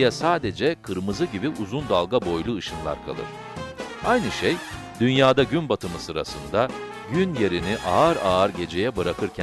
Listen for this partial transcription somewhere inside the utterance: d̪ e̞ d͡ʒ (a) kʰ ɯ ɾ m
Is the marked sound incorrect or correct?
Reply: incorrect